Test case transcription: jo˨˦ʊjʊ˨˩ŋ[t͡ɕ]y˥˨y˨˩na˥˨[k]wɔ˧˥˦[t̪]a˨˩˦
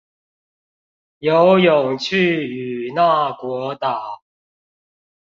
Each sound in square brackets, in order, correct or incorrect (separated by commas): incorrect, correct, correct